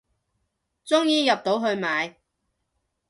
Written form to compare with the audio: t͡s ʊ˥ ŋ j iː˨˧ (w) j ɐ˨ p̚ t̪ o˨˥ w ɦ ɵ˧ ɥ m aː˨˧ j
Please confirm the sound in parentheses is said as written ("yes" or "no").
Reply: no